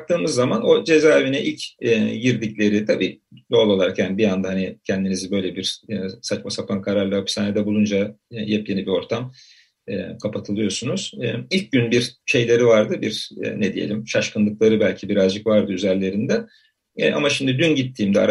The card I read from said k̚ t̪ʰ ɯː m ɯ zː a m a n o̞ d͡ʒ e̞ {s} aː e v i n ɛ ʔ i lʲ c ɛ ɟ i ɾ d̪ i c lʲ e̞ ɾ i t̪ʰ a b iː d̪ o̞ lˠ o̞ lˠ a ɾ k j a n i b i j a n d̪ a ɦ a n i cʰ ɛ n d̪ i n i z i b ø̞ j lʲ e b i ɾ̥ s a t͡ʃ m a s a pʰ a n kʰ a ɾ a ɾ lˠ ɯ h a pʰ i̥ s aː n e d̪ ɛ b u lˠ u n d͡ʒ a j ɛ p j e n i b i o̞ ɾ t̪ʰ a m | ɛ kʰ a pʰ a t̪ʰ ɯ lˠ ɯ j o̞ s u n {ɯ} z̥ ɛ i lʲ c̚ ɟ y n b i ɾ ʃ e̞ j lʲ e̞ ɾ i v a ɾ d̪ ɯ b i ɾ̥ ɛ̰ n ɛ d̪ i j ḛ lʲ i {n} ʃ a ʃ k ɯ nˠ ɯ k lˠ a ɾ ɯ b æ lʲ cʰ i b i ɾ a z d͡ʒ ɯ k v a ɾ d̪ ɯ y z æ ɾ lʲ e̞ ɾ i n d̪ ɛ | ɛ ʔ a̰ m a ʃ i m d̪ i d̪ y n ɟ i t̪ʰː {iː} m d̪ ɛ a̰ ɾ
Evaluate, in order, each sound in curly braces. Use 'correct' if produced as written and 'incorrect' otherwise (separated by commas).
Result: incorrect, incorrect, incorrect, correct